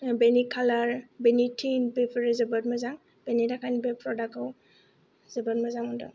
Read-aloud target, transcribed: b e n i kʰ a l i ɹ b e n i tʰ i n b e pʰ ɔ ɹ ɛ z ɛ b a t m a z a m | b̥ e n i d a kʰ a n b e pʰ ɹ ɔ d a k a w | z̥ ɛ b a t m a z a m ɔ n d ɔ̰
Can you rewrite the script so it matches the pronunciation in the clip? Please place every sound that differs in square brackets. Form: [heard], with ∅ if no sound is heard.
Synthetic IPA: b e n i kʰ a l [a] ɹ b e n i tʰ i n b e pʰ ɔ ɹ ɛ z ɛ b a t m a z a [ŋ] | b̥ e n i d a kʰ a n b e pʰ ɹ ɔ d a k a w | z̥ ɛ b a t m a z a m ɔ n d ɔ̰